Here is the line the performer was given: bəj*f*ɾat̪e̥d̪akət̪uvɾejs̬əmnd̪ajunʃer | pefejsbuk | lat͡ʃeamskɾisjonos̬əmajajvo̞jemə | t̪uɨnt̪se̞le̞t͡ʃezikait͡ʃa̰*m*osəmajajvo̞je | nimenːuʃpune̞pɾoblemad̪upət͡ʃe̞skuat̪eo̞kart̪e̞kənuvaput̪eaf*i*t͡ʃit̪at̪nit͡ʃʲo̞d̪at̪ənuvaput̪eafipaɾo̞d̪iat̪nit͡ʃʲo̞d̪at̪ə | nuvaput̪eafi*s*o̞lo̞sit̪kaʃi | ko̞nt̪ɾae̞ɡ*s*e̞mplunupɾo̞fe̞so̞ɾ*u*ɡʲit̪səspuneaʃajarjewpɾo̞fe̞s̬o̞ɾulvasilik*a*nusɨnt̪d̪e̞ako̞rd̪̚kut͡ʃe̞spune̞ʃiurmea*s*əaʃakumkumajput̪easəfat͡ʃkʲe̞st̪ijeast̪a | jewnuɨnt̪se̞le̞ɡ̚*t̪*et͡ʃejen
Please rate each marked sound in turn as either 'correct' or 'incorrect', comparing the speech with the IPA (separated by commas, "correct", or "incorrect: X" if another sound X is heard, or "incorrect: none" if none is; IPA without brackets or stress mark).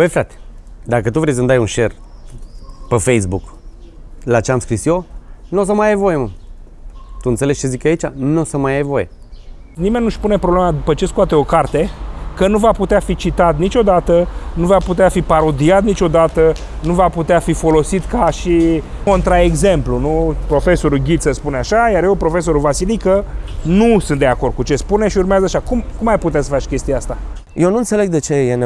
correct, incorrect: n, correct, incorrect: f, incorrect: z, correct, incorrect: ə, incorrect: z, incorrect: d̪